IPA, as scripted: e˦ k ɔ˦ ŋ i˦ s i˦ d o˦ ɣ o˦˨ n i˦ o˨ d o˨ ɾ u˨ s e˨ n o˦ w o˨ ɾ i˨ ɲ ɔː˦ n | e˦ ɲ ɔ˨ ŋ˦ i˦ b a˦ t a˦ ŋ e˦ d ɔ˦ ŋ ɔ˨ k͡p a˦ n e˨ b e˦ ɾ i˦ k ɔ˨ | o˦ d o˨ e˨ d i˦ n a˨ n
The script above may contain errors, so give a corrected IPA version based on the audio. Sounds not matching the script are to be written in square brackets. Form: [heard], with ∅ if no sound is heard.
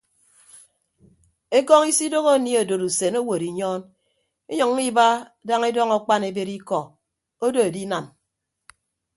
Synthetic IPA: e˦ k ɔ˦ ŋ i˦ s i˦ d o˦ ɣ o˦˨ n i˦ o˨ d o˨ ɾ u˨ s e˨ n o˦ w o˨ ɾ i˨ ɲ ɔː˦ n | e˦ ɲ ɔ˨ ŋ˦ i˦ b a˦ [d] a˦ ŋ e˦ d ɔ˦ ŋ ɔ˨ k͡p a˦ n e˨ b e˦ ɾ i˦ k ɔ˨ | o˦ d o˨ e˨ d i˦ n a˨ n